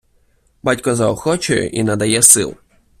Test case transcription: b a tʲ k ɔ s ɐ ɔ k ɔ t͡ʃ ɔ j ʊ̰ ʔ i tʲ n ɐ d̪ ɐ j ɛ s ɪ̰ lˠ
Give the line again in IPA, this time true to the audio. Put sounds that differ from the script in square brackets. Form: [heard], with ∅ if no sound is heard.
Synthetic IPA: b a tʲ k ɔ [z] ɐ ɔ [x] ɔ t͡ʃ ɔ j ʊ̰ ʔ i [∅] n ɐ d̪ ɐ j ɛ s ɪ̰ lˠ